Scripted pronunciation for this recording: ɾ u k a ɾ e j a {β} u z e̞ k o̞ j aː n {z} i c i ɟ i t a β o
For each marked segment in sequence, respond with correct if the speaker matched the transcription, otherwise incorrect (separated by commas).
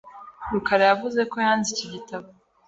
incorrect, correct